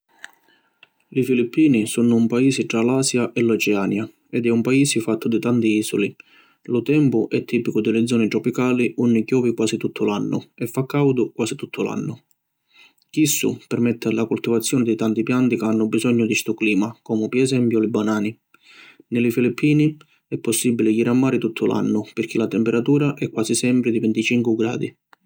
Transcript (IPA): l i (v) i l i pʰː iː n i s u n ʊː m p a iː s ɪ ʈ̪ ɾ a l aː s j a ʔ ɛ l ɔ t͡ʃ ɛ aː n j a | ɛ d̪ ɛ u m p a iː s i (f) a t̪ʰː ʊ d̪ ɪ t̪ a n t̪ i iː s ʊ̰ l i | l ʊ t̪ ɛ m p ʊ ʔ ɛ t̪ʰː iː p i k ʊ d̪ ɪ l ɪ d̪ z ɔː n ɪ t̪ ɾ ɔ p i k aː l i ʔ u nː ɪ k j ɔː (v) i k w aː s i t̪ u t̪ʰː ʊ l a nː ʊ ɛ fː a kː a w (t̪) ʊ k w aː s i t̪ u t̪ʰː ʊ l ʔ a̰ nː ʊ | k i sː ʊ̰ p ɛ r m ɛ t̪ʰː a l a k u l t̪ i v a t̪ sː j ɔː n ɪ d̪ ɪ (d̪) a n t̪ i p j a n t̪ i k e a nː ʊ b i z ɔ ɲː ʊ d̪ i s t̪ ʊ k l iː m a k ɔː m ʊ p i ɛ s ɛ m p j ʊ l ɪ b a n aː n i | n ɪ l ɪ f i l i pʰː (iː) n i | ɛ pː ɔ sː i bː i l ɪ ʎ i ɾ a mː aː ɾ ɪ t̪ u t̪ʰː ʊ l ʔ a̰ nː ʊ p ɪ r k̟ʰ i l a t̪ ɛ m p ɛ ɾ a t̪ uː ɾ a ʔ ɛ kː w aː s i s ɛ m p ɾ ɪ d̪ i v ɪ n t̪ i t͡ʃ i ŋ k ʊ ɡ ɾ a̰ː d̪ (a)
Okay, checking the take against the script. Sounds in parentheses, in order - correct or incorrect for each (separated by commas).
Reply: incorrect, correct, correct, incorrect, incorrect, correct, incorrect